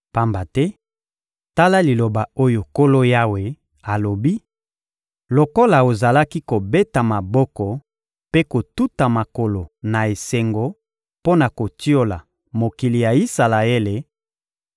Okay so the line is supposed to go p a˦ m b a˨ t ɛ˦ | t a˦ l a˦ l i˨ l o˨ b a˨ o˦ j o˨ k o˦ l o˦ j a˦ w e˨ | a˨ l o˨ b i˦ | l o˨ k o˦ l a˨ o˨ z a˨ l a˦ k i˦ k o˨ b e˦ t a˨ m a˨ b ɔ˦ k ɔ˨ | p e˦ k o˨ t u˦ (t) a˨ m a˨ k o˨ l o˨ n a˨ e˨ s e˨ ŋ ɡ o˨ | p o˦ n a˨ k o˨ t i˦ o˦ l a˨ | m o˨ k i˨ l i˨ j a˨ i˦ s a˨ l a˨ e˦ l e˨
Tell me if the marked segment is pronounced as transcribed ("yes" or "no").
yes